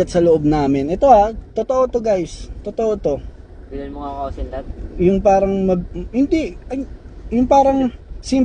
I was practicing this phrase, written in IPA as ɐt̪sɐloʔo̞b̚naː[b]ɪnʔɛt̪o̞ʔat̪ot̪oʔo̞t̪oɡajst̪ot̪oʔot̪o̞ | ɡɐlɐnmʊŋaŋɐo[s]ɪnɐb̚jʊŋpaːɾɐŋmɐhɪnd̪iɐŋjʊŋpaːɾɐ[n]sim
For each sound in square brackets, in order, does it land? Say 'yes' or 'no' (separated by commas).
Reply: no, yes, no